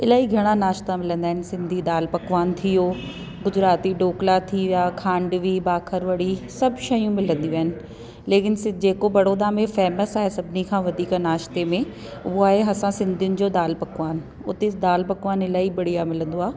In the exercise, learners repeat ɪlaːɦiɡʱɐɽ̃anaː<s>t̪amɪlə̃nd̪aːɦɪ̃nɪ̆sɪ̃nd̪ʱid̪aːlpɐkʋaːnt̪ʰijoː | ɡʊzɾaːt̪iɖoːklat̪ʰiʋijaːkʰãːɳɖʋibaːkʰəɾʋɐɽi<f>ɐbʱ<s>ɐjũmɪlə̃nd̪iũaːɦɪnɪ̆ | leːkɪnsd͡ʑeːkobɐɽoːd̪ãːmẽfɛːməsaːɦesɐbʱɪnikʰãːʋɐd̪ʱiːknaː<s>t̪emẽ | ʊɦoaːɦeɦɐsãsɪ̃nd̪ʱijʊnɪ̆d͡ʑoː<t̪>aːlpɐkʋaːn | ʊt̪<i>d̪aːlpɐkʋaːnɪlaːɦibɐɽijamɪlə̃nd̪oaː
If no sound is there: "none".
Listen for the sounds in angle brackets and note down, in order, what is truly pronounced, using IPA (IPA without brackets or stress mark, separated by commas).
ʃ, s, ʃ, ʃ, d̪, e